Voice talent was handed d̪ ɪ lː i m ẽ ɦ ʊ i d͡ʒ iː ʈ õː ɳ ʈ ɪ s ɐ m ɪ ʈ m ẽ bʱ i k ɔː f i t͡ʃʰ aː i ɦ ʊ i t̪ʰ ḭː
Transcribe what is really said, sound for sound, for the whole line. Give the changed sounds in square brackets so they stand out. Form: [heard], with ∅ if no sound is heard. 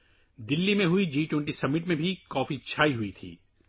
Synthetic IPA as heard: d̪ ɪ lː i m ẽ ɦ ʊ i d͡ʒ iː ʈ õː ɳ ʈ [i] s ɐ m ɪ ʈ m ẽ bʱ i k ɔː f i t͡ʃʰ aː i ɦ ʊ i t̪ʰ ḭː

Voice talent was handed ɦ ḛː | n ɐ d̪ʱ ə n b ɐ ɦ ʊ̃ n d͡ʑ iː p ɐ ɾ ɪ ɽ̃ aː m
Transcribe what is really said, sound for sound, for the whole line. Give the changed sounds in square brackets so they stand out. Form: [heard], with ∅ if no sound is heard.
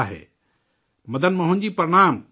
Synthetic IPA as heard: ɦ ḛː | [m] ɐ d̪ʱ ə n [m] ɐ ɦ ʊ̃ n d͡ʑ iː p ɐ ɾ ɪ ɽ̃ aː m

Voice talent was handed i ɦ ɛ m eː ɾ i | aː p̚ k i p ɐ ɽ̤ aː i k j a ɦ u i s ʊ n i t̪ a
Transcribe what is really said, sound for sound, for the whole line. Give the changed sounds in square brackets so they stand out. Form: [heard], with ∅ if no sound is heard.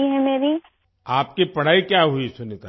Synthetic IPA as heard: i ɦ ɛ m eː ɾ i | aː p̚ k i p ɐ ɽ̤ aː i k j a ɦ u i s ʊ n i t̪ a

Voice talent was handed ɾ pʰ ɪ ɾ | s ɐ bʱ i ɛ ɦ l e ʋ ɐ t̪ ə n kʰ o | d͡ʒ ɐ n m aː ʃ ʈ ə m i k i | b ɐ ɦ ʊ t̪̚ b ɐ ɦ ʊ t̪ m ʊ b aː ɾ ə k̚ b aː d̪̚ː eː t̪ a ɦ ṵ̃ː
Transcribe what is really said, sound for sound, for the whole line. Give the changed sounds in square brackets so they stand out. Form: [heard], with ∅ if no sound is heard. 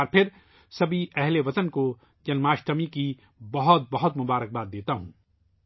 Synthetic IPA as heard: ɾ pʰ ɪ ɾ | s ɐ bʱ i ɛ ɦ l e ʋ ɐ t̪ ə n [k] o | d͡ʒ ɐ n m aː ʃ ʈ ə m i k i | b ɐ ɦ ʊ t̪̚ b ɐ ɦ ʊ t̪ m ʊ b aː ɾ ə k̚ b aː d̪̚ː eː t̪ a ɦ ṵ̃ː

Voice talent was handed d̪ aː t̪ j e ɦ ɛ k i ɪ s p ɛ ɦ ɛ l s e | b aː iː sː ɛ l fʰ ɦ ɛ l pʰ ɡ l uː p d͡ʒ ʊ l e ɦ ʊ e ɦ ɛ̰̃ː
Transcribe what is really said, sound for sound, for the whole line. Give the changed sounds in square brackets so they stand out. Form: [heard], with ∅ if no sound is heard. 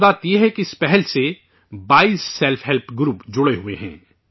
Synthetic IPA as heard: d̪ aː t̪ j e ɦ ɛ k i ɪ s p ɛ ɦ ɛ l s e | b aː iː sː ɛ l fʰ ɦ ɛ l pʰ ɡ [ɾ] uː p d͡ʒ ʊ [ɽ] e ɦ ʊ e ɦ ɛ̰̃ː

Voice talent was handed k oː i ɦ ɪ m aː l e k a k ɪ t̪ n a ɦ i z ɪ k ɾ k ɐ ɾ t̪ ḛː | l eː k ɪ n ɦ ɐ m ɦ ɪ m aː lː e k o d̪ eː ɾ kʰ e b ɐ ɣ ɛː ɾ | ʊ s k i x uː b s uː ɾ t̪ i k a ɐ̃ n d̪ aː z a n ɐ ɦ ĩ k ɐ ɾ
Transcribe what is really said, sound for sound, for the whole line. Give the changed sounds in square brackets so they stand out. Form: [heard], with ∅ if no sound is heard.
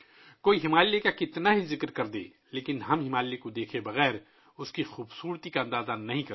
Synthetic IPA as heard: k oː i ɦ ɪ m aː l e k a k ɪ t̪ n a ɦ i z ɪ k ɾ k ɐ ɾ [d̪] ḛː | l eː k ɪ n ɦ ɐ m ɦ ɪ m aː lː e k o d̪ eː [∅] kʰ e b ɐ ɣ ɛː ɾ | ʊ s k i x uː b s uː ɾ t̪ i k a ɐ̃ n d̪ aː z a n ɐ ɦ ĩ k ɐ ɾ

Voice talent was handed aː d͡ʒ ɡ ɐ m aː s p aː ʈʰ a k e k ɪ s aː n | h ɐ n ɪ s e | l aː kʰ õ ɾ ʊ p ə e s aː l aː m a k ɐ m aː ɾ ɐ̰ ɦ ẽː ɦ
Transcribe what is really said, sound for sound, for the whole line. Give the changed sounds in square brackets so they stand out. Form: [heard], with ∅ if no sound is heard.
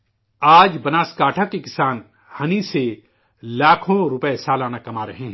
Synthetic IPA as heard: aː d͡ʒ [b] ɐ [n] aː s [k] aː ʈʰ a k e k ɪ s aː n | h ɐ n [i] s e | l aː kʰ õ ɾ ʊ p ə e s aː l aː [n] a k ɐ m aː ɾ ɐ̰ ɦ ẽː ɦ

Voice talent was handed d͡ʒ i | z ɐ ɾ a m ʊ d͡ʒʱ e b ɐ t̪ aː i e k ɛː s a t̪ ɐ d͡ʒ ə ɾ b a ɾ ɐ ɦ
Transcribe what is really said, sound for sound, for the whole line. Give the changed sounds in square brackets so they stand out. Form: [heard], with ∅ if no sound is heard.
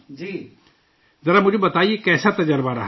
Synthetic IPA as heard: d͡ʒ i | z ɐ ɾ a m ʊ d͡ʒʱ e b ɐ t̪ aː i e k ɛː s a t̪ ɐ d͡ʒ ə ɾ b a ɾ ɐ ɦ

